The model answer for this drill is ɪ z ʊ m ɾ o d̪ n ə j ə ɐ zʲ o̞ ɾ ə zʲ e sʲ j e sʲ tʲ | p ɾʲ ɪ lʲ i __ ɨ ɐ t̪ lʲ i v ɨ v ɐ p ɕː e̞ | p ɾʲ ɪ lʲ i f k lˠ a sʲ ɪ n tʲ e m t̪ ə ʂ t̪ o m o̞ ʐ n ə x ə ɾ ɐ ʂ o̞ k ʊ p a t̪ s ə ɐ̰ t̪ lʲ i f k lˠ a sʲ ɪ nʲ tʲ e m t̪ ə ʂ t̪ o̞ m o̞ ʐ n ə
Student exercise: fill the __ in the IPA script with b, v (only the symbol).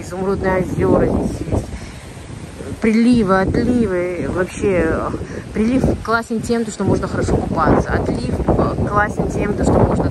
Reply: v